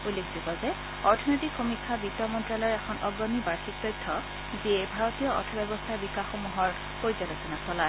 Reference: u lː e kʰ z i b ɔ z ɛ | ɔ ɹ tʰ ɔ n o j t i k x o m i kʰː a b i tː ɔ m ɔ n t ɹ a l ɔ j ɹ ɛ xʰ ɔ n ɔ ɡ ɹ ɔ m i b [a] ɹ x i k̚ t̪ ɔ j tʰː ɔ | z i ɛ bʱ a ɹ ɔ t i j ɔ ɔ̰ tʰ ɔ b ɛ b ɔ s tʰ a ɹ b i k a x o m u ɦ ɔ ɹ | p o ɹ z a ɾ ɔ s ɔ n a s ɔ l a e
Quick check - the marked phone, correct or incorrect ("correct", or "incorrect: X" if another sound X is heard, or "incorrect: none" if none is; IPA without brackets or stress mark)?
correct